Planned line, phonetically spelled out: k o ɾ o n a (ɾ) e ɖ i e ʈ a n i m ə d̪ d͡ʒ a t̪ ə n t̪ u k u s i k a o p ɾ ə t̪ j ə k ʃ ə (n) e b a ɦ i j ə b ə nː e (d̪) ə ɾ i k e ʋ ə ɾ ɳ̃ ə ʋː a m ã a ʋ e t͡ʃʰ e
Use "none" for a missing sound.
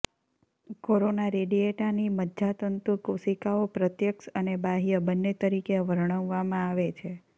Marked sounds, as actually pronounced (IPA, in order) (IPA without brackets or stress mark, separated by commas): ɾ, n, t̪